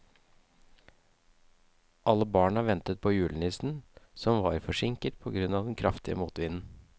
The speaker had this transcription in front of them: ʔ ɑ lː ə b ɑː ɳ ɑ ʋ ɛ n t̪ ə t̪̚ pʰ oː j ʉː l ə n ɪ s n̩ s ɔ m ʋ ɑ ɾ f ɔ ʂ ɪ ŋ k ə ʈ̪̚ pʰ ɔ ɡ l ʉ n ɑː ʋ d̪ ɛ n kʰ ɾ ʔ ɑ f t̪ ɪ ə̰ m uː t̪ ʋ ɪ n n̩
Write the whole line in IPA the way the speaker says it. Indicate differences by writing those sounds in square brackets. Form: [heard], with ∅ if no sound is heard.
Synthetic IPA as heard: ʔ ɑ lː ə b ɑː ɳ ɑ ʋ ɛ n t̪ ə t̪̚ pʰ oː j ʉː l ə n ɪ s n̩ s ɔ m ʋ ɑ ɾ f ɔ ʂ ɪ ŋ k ə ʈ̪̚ pʰ ɔ ɡ [ɾ] ʉ n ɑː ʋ d̪ ɛ n kʰ ɾ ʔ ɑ f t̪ ɪ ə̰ m uː t̪ ʋ ɪ n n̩